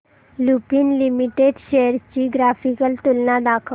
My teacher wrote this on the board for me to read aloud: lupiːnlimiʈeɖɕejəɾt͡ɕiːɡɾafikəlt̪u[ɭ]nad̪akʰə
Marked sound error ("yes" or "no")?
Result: yes